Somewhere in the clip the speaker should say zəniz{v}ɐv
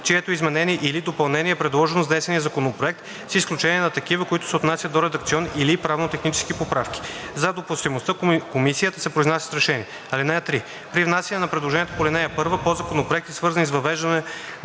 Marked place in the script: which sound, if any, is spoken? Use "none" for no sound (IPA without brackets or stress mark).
v